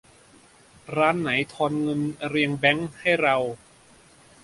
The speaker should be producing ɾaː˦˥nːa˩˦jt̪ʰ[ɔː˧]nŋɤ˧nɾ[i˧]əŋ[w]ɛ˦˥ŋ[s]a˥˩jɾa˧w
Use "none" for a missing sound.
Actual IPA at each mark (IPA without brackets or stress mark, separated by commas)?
ɔː˧, i˧, b, h